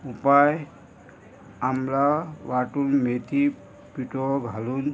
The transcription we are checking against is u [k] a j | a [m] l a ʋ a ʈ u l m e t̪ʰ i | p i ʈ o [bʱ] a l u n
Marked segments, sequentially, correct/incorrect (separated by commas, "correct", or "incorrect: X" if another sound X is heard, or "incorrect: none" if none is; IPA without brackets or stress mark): incorrect: p, correct, incorrect: ɡʱ